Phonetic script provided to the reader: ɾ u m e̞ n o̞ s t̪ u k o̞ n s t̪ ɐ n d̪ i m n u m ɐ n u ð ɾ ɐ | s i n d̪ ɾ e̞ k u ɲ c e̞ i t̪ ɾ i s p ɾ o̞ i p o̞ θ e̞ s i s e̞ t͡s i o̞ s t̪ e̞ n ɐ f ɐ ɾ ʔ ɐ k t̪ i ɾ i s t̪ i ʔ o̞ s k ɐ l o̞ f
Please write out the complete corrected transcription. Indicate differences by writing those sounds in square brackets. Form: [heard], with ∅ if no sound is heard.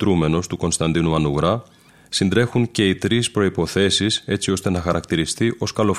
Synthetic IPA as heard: ɾ u m e̞ n o̞ s t̪ u k o̞ n s t̪ ɐ n d̪ i [∅] n u m ɐ n u [ɣ] ɾ ɐ | s i n d̪ ɾ e̞ [x] u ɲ c e̞ i t̪ ɾ i s p ɾ o̞ i p o̞ θ e̞ s i s e̞ t͡s i o̞ s t̪ e̞ n ɐ [x] ɐ ɾ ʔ ɐ k t̪ i ɾ i s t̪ i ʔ o̞ s k ɐ l o̞ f